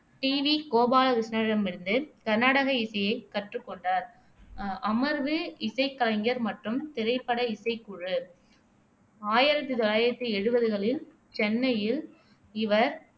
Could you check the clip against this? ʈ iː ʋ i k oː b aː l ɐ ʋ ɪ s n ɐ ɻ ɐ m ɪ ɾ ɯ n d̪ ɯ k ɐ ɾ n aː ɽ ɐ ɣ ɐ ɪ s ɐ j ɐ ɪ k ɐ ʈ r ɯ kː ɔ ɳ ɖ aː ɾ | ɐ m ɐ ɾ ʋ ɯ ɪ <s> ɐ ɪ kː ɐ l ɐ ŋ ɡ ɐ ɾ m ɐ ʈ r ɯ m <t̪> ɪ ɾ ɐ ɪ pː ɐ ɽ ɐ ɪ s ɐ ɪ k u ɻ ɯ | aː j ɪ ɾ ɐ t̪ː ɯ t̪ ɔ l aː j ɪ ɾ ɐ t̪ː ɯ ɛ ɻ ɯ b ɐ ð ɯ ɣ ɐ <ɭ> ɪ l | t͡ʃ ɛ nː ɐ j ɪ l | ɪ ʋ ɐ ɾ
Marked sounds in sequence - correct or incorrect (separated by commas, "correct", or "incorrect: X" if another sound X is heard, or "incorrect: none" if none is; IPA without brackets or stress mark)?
correct, correct, correct